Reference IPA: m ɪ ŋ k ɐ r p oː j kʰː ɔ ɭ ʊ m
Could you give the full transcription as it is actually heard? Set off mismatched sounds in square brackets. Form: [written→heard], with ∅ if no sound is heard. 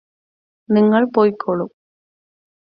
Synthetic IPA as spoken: [m→n] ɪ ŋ [k→ɡ] ɐ [r→ɭ] p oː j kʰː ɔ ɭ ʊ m